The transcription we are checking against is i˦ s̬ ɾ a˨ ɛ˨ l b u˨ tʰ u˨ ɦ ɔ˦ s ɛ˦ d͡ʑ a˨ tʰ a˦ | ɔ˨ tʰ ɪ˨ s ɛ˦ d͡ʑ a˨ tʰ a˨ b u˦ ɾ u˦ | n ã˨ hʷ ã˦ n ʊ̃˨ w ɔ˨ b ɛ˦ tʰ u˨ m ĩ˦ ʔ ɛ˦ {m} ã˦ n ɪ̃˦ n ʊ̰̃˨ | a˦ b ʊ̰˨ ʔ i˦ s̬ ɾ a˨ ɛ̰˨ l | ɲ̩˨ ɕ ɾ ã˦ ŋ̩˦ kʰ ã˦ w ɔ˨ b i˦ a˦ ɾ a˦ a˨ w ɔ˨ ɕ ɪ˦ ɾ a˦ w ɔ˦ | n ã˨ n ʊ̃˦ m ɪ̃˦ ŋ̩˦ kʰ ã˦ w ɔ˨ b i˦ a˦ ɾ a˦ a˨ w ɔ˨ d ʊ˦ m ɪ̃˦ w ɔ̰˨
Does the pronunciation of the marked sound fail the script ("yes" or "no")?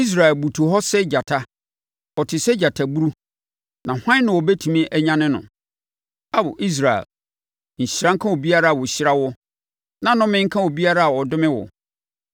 yes